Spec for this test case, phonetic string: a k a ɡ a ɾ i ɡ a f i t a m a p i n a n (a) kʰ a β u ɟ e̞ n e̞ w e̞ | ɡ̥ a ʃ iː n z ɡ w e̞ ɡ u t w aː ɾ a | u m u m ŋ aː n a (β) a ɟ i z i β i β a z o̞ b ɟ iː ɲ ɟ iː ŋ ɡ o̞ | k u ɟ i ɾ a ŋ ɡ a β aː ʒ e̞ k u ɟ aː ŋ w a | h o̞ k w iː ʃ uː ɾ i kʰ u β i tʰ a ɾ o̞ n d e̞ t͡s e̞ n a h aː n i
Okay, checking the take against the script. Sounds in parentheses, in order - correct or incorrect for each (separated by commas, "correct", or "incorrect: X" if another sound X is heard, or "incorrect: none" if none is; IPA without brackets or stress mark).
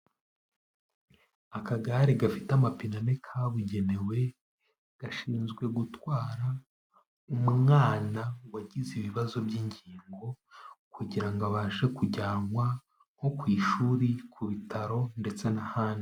incorrect: e, incorrect: w